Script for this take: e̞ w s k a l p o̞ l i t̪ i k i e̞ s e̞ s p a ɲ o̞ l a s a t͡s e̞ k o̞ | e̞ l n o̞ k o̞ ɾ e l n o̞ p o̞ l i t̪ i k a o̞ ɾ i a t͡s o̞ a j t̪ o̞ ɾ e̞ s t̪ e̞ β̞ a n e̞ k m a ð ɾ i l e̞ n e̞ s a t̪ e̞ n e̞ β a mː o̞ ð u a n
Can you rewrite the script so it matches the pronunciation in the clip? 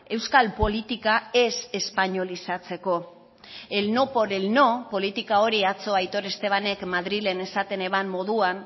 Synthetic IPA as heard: e̞ w s k a l p o̞ l i t̪ i k a e̞ s e̞ s p a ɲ o̞ l i s a t͡s e̞ k o̞ | e̞ l n o̞ p o̞ ɾ e l n o̞ p o̞ l i t̪ i k a o̞ ɾ i a t͡s o̞ a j t̪ o̞ ɾ e̞ s t̪ e̞ β̞ a n e̞ k m a ð ɾ i l e̞ n e̞ s a t̪ e̞ n e̞ β a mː o̞ ð u a n